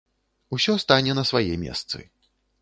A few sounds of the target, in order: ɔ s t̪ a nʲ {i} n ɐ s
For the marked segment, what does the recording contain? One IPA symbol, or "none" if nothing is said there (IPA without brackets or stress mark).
ɛ